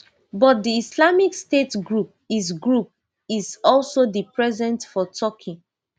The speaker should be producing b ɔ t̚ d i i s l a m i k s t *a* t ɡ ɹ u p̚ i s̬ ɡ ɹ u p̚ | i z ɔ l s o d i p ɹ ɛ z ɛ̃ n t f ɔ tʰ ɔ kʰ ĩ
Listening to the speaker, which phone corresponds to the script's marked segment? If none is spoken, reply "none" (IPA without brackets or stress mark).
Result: e